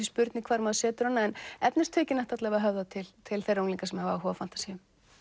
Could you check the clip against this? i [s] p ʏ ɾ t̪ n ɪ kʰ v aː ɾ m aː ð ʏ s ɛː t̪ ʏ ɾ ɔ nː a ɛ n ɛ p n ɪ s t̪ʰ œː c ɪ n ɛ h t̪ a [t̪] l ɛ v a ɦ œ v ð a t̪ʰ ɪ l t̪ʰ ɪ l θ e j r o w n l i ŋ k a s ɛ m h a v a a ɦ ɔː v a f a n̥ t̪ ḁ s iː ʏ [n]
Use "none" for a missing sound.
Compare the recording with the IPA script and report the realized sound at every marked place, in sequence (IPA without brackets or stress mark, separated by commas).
s, t̪, m